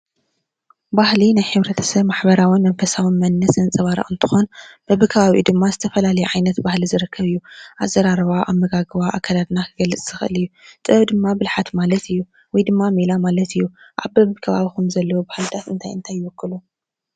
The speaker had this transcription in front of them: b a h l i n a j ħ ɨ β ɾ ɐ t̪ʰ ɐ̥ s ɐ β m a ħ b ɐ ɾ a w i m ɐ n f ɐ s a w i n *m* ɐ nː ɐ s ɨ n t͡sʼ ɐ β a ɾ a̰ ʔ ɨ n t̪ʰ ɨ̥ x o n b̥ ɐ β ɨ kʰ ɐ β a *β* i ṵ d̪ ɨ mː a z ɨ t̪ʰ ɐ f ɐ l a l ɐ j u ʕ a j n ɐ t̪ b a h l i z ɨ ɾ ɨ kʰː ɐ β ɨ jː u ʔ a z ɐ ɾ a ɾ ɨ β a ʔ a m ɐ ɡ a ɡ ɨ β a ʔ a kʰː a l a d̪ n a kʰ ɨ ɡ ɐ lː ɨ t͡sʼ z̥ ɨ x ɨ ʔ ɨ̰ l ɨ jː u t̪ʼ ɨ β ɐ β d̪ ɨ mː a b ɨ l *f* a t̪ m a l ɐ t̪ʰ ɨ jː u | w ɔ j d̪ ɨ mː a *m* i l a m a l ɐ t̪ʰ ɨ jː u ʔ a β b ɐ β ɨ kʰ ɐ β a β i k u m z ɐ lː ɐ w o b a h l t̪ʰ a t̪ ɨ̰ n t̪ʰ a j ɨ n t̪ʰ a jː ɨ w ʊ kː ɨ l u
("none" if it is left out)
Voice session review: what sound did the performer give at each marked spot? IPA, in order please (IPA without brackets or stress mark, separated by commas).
m, β, ħ, m